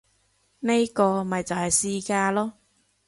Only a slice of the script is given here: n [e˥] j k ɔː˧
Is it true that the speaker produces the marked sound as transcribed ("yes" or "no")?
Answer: yes